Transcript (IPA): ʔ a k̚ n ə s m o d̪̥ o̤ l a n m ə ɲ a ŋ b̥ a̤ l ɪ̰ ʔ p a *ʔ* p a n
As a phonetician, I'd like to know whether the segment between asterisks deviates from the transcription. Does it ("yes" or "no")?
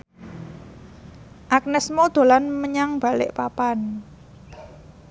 yes